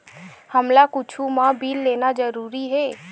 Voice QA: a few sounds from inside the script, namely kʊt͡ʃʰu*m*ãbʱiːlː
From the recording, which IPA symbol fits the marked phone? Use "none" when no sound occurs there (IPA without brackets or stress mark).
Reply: m